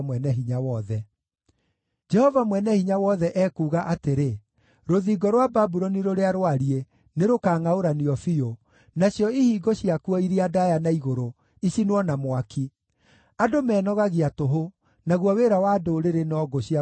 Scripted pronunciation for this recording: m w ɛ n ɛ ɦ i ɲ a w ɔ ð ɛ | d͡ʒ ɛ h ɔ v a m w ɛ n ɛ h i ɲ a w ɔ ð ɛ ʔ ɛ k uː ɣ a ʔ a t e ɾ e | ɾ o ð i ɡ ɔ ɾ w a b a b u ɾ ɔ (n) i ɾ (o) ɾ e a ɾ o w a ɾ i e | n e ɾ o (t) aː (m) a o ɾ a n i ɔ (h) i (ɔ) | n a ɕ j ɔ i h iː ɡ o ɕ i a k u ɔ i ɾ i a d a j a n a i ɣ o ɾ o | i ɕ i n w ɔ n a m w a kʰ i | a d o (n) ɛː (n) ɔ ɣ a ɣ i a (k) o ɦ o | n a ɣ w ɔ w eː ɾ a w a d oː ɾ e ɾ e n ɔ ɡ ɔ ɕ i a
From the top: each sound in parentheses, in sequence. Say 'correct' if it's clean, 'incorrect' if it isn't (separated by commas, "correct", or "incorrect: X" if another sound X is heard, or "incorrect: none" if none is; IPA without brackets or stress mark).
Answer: correct, correct, incorrect: k, incorrect: ŋ, incorrect: f, incorrect: o, incorrect: m, correct, incorrect: t